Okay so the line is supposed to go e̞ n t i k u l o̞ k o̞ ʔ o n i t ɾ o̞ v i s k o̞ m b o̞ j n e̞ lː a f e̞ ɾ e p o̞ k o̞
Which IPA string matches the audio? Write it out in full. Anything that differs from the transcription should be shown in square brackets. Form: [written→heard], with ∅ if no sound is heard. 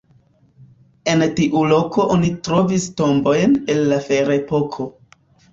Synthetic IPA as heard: e̞ n t i [k→ʔ] u l o̞ k o̞ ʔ o n i t ɾ o̞ v i s [k→t] o̞ m b o̞ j n e̞ lː a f e̞ ɾ e p o̞ [k→kʰ] o̞